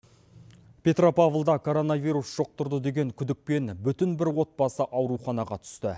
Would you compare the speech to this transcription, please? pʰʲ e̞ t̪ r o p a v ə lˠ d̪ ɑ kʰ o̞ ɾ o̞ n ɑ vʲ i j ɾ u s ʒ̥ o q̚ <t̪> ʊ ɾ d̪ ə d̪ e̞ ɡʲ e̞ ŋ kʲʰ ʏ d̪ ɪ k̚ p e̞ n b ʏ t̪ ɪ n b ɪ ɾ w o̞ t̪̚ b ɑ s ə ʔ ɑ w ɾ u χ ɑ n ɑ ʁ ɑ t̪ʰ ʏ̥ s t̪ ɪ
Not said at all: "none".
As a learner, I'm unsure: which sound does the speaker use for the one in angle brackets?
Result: t̪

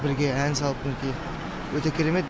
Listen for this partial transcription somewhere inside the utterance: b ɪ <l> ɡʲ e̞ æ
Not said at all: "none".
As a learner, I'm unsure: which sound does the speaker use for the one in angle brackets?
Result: ɾ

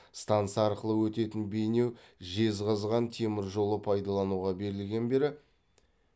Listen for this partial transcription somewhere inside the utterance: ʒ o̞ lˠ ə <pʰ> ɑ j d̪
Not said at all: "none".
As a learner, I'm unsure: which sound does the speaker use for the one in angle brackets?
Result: pʰ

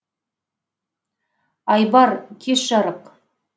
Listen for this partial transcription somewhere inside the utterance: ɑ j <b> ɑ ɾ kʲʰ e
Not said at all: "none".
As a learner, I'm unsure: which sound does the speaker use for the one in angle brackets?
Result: b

